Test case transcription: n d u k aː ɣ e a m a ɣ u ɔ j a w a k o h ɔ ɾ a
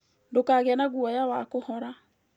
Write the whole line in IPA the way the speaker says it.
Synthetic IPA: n d o k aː ɣ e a n a ɣ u ɔ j a w a k o h ɔ ɾ a